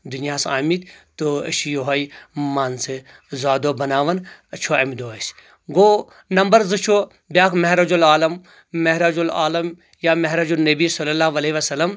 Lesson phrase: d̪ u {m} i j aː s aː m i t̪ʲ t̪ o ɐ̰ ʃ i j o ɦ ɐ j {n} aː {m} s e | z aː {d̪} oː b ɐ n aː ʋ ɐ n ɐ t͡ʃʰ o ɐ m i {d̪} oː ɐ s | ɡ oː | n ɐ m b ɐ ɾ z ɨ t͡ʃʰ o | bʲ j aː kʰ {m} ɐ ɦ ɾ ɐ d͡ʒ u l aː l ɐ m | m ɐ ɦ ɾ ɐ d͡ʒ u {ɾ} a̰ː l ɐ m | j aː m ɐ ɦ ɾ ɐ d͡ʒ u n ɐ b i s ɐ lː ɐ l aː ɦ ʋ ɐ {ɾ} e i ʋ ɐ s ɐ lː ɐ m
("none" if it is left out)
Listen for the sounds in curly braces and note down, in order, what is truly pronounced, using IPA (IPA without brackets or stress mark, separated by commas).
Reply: n, m, n, d̪, d̪, m, l, l